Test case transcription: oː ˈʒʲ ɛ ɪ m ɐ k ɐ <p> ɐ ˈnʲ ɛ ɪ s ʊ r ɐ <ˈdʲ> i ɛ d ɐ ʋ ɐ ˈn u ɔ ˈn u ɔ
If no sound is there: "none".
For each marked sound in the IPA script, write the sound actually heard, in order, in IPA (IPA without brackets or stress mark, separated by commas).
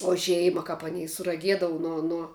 p, ɡʲ